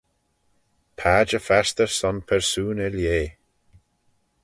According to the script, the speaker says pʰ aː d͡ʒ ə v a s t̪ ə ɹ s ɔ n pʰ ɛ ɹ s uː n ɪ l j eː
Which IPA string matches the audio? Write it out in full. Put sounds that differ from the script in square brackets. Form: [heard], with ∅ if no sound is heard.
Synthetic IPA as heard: pʰ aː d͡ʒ ə [f] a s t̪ ə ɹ s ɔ n pʰ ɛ ɹ s uː n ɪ l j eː